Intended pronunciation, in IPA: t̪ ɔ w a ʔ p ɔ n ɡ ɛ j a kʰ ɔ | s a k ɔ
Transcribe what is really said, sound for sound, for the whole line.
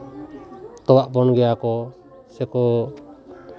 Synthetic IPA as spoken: t̪ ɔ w a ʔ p ɔ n ɡ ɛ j a k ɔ | s ɛ k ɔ

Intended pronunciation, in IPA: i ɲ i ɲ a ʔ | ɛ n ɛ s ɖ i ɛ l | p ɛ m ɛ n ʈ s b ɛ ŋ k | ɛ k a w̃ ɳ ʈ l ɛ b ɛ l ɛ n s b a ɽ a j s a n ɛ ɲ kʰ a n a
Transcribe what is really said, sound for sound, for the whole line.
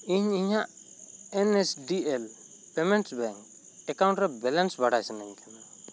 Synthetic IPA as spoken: i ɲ i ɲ a ʔ | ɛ n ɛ s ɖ i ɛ l | p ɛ m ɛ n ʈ s b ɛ ŋ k | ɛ k a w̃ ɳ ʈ ɾ ɛ b ɛ l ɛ n s b a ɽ a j s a n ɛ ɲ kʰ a n a

